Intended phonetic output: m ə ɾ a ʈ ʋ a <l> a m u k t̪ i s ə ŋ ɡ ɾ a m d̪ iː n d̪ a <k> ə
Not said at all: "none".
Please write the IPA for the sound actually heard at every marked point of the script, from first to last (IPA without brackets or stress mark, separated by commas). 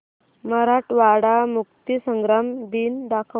ɽ, kʰ